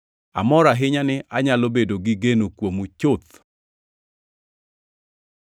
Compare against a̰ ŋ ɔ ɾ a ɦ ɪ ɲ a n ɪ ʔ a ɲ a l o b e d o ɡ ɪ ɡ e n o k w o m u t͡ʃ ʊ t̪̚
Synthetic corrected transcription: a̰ m ɔ ɾ a ɦ ɪ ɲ a n ɪ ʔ a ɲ a l o b e d o ɡ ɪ ɡ e n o k w o m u t͡ʃ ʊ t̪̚